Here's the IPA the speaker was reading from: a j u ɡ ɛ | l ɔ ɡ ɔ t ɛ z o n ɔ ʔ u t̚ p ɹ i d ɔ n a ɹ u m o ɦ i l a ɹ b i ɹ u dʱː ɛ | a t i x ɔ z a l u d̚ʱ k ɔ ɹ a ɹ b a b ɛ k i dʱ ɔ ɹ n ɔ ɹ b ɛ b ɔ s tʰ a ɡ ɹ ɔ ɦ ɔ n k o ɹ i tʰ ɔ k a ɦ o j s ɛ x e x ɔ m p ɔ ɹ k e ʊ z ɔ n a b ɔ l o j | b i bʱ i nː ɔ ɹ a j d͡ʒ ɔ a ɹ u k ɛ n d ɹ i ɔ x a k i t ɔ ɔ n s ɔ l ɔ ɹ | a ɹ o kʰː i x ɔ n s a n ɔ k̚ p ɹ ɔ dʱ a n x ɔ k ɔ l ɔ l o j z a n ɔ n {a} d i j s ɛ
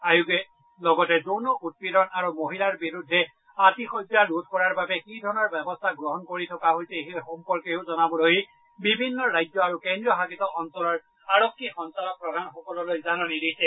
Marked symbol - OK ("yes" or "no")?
no